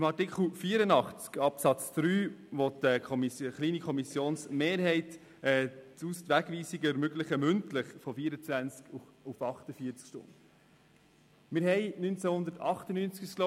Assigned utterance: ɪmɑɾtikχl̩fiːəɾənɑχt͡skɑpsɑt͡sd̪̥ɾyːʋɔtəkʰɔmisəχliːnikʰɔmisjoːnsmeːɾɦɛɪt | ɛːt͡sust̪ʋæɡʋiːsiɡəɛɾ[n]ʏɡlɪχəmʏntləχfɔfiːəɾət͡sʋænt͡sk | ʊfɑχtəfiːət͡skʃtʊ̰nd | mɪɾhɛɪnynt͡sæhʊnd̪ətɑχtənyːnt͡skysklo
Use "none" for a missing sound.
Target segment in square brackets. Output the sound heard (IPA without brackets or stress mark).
m